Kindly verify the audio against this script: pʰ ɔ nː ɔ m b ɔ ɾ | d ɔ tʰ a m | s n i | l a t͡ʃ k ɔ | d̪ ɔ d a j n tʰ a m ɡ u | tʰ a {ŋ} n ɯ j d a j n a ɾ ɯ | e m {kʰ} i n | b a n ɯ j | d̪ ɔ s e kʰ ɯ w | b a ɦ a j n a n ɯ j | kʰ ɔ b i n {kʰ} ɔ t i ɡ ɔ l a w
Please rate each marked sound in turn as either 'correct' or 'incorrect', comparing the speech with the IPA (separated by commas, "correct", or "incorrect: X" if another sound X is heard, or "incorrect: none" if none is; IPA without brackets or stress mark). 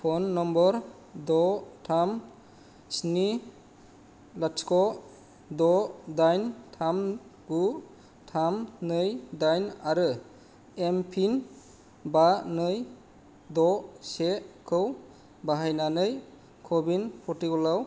incorrect: m, incorrect: pʰ, incorrect: pʰ